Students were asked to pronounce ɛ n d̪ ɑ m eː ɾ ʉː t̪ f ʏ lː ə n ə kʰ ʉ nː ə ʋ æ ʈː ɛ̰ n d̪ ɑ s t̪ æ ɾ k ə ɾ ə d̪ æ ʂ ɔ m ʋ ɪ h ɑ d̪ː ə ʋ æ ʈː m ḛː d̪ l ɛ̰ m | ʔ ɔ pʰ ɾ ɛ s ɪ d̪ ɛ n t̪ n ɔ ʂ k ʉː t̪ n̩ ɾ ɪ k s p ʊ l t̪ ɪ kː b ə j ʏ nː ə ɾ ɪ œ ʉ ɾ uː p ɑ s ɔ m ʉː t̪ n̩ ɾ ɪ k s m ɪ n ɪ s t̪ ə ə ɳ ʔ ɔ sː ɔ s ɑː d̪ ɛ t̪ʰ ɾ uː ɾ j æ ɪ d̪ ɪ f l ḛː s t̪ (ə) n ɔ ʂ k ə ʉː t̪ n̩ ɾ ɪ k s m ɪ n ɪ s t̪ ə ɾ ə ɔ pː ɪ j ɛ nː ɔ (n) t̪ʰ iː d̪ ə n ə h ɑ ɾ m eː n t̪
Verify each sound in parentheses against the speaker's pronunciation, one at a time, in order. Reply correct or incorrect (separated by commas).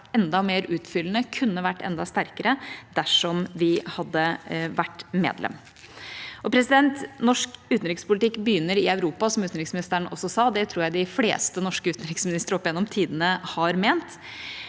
correct, incorrect